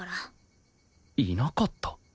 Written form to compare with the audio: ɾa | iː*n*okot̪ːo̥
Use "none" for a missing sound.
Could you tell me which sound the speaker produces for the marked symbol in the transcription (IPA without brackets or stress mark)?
n